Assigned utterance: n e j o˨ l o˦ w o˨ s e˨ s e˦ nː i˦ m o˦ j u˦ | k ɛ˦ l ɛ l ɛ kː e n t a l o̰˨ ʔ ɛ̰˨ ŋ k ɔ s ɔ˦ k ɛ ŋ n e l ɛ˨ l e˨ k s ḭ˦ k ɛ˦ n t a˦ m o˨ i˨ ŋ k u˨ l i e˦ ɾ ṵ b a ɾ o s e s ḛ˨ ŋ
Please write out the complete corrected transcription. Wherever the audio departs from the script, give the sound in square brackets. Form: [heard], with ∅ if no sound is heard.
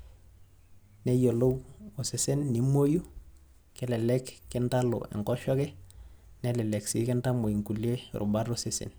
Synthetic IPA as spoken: n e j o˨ l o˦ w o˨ s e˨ s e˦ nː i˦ m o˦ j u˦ | k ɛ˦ l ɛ l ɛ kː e n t a l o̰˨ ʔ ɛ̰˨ ŋ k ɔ [ʃ] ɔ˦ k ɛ [∅] n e l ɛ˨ l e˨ k s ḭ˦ k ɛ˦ n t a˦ m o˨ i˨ ŋ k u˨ l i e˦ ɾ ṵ b a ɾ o s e s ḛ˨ [n]